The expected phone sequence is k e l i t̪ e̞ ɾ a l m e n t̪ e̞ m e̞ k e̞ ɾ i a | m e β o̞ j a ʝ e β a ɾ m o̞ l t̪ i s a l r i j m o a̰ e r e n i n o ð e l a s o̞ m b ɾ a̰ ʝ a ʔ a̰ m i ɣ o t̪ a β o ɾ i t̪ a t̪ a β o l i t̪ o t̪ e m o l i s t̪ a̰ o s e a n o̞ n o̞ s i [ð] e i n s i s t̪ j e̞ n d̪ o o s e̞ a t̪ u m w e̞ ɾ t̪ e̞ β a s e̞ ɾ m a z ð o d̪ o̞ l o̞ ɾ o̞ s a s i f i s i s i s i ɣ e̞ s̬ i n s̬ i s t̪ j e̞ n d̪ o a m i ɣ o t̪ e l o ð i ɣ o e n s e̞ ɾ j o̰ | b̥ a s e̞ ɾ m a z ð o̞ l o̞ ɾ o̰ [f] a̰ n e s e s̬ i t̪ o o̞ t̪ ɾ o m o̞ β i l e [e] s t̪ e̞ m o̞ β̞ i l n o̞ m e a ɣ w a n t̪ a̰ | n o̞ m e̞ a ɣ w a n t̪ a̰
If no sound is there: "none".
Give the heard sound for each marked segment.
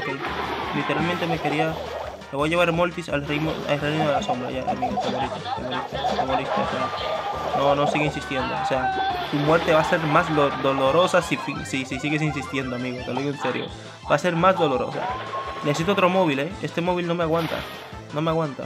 ɣ, s, e

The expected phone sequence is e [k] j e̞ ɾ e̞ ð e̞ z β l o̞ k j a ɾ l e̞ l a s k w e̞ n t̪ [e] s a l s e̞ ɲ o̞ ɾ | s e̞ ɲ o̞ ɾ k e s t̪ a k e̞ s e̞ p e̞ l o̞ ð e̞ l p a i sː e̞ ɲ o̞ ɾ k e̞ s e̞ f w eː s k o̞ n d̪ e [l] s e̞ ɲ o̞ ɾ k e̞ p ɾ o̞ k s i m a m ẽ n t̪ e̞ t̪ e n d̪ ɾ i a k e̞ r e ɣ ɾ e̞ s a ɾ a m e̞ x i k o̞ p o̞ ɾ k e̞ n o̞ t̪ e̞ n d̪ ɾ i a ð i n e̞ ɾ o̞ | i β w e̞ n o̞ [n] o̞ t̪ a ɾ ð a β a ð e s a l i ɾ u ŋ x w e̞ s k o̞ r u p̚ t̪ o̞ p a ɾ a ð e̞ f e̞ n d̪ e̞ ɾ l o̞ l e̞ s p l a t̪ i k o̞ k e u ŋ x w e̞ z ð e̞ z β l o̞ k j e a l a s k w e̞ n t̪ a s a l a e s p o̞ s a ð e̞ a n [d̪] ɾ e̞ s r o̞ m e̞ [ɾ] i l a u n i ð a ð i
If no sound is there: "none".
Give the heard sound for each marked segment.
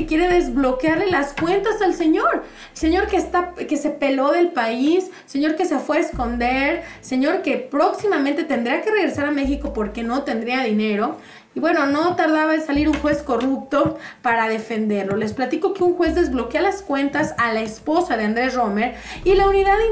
k, a, ɾ, n, d̪, ɾ

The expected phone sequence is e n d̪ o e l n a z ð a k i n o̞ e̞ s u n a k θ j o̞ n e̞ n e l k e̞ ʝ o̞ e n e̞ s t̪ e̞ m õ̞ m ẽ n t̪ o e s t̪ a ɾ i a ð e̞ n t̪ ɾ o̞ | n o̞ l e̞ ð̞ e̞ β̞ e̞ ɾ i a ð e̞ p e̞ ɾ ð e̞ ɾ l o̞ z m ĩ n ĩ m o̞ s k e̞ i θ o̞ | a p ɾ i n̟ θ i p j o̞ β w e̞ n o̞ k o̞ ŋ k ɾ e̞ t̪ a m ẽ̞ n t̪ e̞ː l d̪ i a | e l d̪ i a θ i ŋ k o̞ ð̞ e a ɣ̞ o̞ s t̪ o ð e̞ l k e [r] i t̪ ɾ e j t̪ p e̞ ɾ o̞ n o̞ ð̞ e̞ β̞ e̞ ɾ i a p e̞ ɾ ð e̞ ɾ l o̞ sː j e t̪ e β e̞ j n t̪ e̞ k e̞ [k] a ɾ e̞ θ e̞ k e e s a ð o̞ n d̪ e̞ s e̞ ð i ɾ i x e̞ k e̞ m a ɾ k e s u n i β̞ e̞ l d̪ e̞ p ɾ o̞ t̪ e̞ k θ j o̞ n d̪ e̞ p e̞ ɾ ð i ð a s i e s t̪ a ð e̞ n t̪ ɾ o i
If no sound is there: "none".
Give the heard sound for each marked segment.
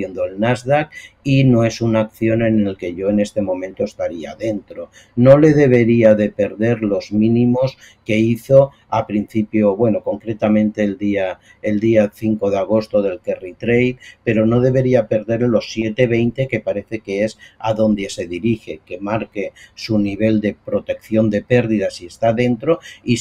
r, p

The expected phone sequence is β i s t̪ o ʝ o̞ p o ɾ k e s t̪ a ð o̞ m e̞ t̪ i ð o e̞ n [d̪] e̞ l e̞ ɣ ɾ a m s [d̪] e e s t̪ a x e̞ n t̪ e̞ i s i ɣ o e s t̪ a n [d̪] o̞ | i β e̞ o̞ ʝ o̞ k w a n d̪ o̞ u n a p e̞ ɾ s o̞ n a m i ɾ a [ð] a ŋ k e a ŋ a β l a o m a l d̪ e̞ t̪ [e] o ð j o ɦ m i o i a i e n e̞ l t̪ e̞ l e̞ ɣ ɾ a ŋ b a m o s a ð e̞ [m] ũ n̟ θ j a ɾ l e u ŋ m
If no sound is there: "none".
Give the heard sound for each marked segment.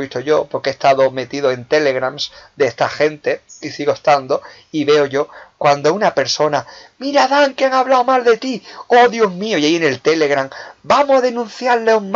t̪, d̪, d̪, ð, i, n

